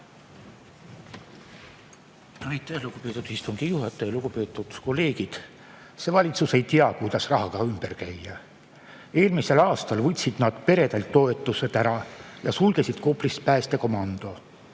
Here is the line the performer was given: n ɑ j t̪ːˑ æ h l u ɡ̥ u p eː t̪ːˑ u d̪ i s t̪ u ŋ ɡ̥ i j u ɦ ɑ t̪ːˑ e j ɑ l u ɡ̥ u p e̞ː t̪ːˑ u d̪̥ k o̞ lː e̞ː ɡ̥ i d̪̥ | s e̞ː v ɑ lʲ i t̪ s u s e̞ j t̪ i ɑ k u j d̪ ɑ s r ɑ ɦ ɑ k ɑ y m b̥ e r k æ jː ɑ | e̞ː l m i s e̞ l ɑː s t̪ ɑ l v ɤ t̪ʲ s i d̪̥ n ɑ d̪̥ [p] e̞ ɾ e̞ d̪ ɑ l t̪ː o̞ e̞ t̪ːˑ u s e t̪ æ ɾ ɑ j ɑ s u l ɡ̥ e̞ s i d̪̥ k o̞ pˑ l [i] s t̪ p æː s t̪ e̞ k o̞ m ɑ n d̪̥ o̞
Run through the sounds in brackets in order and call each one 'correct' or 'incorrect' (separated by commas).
correct, correct